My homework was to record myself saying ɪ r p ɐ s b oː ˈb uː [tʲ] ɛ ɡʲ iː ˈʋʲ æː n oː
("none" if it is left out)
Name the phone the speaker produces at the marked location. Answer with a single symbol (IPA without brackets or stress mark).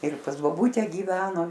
tʲ